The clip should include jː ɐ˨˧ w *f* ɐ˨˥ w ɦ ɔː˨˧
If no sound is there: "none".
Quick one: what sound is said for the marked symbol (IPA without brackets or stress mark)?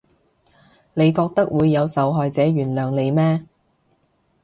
s